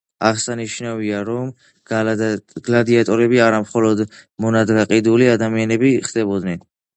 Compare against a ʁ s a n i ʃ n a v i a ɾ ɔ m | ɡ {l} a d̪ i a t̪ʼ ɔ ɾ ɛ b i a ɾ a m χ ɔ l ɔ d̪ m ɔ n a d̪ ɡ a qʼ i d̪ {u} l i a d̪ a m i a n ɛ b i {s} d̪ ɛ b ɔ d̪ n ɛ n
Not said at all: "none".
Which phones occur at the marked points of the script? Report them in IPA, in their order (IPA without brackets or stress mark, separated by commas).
l, u, χ